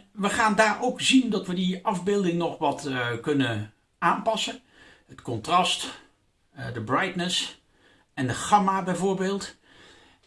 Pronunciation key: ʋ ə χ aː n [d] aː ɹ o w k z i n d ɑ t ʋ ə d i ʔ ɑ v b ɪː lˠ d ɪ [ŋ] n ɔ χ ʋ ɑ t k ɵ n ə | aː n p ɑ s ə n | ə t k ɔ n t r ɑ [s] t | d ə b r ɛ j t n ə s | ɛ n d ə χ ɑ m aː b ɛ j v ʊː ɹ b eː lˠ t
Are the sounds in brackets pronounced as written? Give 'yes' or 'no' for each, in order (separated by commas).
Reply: yes, yes, yes